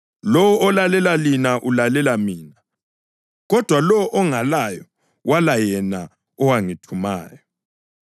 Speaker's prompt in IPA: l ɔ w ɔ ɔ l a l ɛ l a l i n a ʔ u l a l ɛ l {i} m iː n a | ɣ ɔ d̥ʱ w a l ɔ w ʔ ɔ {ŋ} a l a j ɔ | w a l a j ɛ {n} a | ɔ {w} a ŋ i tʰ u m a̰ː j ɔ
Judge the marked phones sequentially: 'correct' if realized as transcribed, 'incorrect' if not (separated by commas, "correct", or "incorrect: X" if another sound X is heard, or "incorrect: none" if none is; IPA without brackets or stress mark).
incorrect: a, correct, correct, correct